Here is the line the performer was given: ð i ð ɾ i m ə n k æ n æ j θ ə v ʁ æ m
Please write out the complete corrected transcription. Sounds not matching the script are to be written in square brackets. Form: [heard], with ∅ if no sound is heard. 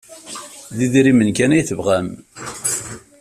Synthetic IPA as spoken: ð i ð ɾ i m ə n k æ n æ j θ ə v ʁ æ m